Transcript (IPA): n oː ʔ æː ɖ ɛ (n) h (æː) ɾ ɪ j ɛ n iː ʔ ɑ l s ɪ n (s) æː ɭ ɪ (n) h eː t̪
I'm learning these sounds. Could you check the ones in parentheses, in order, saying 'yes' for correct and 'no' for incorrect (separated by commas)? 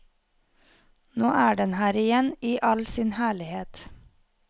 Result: yes, yes, no, no